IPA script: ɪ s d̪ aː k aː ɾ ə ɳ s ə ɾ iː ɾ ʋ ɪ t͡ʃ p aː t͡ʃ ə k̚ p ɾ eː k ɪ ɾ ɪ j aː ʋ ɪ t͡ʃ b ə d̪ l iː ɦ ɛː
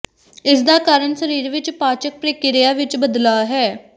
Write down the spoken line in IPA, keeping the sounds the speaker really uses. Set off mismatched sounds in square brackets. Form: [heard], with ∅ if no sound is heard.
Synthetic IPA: ɪ s d̪ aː k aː ɾ ə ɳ s ə ɾ iː ɾ ʋ ɪ t͡ʃ p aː t͡ʃ ə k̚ p ɾ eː k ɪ ɾ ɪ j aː ʋ ɪ t͡ʃ b ə d̪ l [aː] ɦ ɛː